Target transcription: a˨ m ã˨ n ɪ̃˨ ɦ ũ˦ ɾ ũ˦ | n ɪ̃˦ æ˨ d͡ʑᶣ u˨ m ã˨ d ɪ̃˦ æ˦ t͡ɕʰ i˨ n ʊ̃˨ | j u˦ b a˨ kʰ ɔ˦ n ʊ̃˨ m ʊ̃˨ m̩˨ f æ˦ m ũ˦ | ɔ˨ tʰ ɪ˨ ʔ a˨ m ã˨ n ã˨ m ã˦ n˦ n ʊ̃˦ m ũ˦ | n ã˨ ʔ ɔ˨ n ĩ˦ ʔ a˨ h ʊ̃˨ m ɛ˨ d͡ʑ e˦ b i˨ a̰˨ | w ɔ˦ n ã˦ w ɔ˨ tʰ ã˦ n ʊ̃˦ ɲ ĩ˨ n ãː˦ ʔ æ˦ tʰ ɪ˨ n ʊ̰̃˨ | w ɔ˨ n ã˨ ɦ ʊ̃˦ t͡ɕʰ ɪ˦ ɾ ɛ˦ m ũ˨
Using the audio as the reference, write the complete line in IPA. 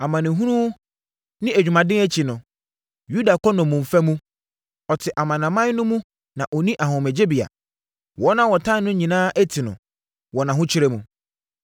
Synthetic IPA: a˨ m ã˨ n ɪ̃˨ ɦ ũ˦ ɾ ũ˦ | n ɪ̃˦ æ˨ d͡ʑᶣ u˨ m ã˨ d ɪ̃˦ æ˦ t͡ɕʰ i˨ n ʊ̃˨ | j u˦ d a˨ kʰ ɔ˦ n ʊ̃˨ m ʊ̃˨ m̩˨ f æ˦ m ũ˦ | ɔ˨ tʰ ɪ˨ ʔ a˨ m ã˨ n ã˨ m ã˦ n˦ n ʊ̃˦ m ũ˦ | n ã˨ ʔ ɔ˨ n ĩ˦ ʔ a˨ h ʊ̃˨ m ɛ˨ d͡ʑ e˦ b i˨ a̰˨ | w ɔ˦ n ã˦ w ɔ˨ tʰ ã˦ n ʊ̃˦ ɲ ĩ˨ n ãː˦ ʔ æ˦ tʰ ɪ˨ n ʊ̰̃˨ | w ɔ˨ n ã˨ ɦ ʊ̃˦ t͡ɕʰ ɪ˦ ɾ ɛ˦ m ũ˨